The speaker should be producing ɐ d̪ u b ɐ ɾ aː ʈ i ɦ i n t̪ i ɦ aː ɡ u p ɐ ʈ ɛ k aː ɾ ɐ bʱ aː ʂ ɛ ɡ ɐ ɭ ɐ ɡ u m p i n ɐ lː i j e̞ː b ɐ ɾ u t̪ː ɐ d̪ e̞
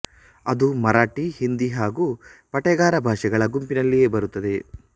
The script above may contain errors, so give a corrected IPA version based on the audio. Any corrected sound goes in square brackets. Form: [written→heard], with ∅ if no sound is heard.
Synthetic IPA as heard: ɐ d̪ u [b→m] ɐ ɾ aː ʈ i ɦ i n [t̪→d̪] i ɦ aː ɡ u p ɐ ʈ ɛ [k→ɡ] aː ɾ ɐ bʱ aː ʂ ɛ ɡ ɐ ɭ ɐ ɡ u m p i n ɐ lː i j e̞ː b ɐ ɾ u t̪ː ɐ d̪ e̞